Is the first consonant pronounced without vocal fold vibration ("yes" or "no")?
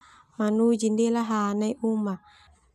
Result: no